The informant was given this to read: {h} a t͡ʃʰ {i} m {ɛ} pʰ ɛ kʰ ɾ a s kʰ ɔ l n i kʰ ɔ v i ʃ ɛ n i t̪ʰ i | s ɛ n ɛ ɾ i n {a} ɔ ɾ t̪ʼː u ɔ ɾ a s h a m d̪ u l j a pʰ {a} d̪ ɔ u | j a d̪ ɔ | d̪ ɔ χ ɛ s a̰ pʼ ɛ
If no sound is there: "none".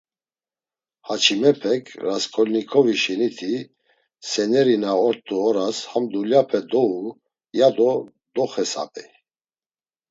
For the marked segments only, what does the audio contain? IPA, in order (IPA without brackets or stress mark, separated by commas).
h, i, ɛ, a, ɛ